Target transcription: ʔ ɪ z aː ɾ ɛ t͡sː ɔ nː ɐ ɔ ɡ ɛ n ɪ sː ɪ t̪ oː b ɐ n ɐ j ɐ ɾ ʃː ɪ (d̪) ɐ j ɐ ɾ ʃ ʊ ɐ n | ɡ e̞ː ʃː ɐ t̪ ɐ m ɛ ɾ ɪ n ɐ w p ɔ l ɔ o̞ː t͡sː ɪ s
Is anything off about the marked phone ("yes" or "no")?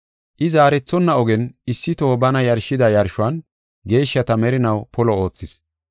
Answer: no